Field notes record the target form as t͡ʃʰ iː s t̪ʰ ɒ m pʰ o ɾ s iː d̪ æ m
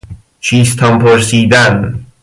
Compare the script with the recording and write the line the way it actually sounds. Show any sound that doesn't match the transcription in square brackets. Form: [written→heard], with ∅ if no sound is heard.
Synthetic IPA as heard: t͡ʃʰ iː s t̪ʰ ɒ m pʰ o ɾ s iː d̪ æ [m→n]

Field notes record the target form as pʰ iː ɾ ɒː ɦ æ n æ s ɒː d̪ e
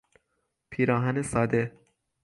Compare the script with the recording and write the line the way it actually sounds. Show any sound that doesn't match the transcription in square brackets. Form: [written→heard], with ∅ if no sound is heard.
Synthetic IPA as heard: pʰ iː ɾ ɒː ɦ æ n [æ→e] s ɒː d̪ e

